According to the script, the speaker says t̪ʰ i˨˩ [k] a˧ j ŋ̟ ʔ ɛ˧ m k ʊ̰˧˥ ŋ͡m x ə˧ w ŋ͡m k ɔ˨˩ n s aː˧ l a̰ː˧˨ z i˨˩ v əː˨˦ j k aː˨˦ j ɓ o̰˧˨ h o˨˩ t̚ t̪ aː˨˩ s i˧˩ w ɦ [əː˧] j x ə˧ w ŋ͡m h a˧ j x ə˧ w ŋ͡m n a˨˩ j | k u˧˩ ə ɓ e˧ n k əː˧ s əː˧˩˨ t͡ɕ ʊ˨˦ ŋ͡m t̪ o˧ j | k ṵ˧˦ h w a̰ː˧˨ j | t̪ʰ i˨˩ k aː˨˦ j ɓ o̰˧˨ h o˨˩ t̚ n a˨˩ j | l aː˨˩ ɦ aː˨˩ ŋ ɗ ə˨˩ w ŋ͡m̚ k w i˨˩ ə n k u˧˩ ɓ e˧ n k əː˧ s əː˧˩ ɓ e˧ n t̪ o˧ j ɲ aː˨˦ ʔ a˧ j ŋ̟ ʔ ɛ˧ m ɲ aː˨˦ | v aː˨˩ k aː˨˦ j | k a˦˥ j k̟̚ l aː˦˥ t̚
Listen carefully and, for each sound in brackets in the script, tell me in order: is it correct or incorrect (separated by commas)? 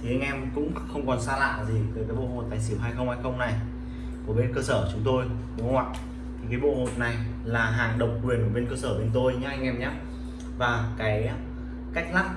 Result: incorrect, incorrect